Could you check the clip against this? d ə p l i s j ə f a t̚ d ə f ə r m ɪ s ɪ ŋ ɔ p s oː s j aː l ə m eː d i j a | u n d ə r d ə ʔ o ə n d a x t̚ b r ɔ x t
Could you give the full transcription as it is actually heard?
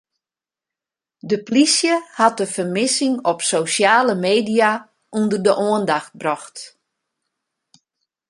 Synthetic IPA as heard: d ə p l i s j ə h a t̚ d ə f ə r m ɪ s ɪ ŋ ɔ p s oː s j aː l ə m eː d i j a | u n d ə r d ə ʔ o ə n d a x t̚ b r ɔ x t